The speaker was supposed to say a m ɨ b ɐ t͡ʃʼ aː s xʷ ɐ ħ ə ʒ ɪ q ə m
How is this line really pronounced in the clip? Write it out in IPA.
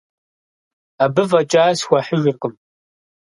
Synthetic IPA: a b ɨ v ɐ t͡ʃʼ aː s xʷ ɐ ħ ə ʒ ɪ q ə m

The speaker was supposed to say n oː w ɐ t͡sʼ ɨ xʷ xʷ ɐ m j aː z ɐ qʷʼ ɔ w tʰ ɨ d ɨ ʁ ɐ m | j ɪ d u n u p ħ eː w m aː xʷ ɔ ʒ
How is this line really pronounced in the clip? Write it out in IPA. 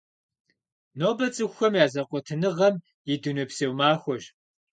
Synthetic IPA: n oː b ɐ t͡sʼ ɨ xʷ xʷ ɐ m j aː z ɐ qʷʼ ɔ tʰ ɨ n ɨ ʁ ɐ m | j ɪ d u n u p s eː w m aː xʷ ɔ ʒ

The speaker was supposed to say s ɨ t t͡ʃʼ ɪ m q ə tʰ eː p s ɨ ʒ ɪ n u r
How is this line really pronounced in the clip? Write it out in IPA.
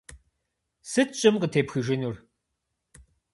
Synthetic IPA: s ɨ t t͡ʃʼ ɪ m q ə tʰ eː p x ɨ ʒ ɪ n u r

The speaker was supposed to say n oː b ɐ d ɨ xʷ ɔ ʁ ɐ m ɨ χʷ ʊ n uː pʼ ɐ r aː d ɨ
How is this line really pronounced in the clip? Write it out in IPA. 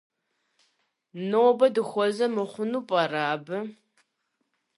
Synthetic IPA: n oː b ɐ d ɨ xʷ ɔ z ɐ m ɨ χʷ ʊ n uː pʼ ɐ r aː b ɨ

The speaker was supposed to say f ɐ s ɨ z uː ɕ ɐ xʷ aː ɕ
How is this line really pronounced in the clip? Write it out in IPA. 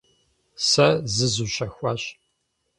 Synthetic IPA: s ɐ z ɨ z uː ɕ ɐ xʷ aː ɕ

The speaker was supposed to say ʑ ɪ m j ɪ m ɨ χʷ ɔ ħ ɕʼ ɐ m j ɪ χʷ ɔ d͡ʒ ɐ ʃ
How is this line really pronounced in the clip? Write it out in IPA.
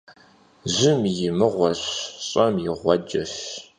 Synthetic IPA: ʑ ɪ m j ɪ m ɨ ʁʷ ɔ ɕ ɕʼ ɐ m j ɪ ʁʷ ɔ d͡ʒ ɐ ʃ

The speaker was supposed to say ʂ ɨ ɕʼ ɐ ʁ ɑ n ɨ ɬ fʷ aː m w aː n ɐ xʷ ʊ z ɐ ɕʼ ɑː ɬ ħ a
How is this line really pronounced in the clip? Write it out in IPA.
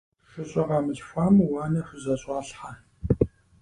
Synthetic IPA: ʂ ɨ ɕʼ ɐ ʁ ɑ m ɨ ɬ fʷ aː m w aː n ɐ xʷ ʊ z ɐ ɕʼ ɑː ɬ ħ a

